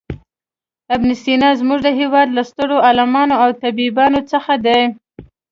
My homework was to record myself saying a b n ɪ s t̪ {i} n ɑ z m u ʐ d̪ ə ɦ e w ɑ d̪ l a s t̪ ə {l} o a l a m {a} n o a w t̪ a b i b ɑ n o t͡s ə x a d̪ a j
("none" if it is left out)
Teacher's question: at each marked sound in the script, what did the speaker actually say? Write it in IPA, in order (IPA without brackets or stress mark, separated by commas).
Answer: i, ɽ, ɑ